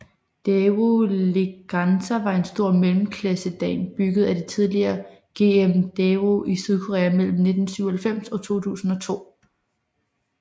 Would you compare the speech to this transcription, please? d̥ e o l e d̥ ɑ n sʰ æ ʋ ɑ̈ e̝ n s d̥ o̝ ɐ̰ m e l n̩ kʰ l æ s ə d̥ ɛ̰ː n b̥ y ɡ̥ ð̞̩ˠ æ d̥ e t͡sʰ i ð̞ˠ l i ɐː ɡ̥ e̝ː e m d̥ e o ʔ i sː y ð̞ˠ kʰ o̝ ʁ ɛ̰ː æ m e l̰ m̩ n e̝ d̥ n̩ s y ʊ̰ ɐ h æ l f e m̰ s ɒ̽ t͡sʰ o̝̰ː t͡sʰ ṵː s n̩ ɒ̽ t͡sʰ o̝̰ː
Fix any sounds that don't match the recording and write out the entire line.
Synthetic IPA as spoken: d̥ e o l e ɡ̥ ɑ n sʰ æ ʋ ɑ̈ e̝ n s d̥ o̝ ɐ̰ m e l m̩ kʰ l æ s ə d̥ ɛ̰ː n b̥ y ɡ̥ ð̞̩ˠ æ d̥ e t͡sʰ i ð̞ˠ l i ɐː ɡ̥ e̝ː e m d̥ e o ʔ i s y ð̞ˠ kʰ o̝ ʁ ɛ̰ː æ m e l̰ m̩ n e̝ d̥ n̩ s y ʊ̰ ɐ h æ l f e m̰ s ɒ̽ t͡sʰ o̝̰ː t͡sʰ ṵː s n̩ ɒ̽ t͡sʰ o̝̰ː

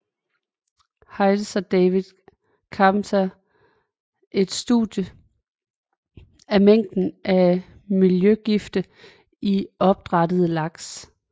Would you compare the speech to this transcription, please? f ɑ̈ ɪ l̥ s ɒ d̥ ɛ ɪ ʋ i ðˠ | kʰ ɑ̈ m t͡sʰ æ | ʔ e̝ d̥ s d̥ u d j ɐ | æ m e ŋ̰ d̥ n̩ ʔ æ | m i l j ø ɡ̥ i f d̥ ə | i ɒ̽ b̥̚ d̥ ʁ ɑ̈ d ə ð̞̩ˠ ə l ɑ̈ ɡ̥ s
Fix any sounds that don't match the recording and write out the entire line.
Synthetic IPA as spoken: h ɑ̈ ɪ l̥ s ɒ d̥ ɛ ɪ ʋ i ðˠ | kʰ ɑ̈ m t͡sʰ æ | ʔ e̝ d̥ s d̥ u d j ə | æ m e ŋ̰ d̥ n̩ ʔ æ | m i l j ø ɡ̥ i f d̥ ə | i ɒ̽ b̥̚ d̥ ʁ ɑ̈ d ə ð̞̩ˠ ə l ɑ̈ ɡ̥ s

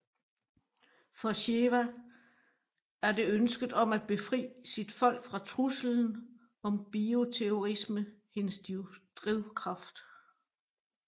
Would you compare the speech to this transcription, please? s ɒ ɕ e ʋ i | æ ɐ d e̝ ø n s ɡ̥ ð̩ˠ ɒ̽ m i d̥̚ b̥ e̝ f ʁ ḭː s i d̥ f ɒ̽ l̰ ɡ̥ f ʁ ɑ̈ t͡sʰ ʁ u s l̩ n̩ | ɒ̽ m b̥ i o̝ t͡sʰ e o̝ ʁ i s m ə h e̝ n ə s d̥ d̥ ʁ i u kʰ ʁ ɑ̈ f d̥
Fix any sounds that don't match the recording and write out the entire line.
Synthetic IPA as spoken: f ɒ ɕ e ʋ æ | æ ɐ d e̝ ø n s ɡ̥ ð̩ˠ ɒ̽ m æ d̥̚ b̥ e̝ f ʁ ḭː s i d̥ f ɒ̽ l̰ ɡ̥ f ʁ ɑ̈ t͡sʰ ʁ u s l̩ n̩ | ɒ̽ m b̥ i o̝ t͡sʰ e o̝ ʁ i s m ə h e̝ n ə s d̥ d̥ ʁ i ʊ kʰ ʁ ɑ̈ f d̥

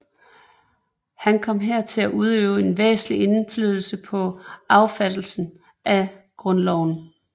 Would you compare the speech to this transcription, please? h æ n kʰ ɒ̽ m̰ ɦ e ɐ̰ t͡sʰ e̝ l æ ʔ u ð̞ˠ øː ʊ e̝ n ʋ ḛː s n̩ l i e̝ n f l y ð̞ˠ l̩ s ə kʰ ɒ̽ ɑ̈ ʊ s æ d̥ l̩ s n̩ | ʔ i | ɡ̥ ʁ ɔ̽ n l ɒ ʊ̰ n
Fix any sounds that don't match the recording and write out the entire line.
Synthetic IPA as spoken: h æ n kʰ ɒ̽ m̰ ɦ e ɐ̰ t͡sʰ e̝ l æ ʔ u ð̞ˠ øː ʊ e̝ n ʋ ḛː s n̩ l i e̝ n f l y ð̞ˠ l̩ s ə pʰ ɒ̽ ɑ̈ ʊ f æ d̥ l̩ s n̩ | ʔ æ | ɡ̥ ʁ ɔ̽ n l ɒ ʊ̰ n

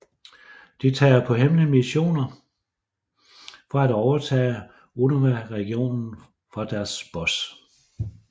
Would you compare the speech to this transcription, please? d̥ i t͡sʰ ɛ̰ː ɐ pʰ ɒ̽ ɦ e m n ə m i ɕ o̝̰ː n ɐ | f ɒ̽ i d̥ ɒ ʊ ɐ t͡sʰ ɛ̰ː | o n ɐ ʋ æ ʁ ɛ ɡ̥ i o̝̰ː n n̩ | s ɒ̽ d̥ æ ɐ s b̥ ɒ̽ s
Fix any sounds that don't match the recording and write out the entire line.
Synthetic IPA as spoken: d̥ i t͡sʰ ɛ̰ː ɐ pʰ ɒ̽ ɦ e m n ə m i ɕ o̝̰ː n ɐ | f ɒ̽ æ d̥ ɒ ʊ ɐ t͡sʰ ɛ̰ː | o n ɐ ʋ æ ʁ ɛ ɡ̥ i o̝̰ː n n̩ | f ɒ̽ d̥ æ ɐ s b̥ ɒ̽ s

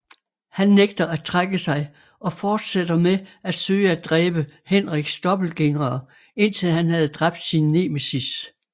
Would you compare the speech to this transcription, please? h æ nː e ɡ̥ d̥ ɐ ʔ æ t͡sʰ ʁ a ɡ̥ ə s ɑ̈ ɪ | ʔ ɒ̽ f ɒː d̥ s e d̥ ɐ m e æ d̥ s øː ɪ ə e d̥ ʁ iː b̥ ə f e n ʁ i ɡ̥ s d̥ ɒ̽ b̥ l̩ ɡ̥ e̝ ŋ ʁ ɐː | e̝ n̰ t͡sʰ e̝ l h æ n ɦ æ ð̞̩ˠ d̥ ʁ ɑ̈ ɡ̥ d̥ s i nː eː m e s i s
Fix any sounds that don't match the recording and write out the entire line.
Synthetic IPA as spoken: h æ nː e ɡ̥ d̥ ɐ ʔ æ t͡sʰ ʁ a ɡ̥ ə s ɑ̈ ɪ | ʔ ɒ̽ f ɒː d̥ s e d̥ ɐ m e æ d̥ s øː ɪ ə æ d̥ ʁ ɛː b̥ ə h e n ʁ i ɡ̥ s d̥ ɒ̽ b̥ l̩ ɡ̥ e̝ ŋ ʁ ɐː | e̝ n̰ t͡sʰ e̝ l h æ n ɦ æ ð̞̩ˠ d̥ ʁ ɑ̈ b̥ d̥ s i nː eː m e s i s

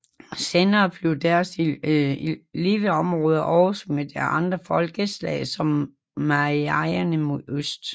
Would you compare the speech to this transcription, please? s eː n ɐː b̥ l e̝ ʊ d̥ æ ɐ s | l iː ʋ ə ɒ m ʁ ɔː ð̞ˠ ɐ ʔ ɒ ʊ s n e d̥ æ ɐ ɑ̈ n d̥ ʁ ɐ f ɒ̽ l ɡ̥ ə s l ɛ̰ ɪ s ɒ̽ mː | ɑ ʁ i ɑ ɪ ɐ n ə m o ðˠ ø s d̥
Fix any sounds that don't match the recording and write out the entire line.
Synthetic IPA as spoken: s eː n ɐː b̥ l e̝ ʊ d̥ æ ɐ s | l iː ʋ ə ɒ m ʁ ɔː ð̞ˠ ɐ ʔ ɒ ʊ s m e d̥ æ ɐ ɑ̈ n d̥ ʁ ɐ f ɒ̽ l ɡ̥ ə s l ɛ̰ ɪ s ɒ̽ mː | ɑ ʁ i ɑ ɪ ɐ n ə m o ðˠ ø s d̥

